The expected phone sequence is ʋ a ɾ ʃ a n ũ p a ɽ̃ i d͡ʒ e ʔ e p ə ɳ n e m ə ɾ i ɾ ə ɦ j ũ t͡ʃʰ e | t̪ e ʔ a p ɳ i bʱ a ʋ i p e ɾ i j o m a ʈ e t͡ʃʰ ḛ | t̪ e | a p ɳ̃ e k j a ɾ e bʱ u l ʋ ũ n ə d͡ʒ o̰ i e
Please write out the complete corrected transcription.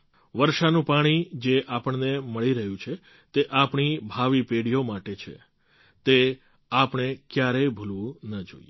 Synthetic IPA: ʋ ə ɾ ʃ a n ũ p a ɽ̃ i d͡ʒ e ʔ a p ə ɳ n e m ə ɭ i ɾ ə ɦ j ũ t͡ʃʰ e | t̪ e ʔ a p ɳ i bʱ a ʋ i p e ɽ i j o m a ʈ e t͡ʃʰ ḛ | t̪ e | a p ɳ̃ e k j a ɾ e bʱ u l ʋ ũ n ə d͡ʒ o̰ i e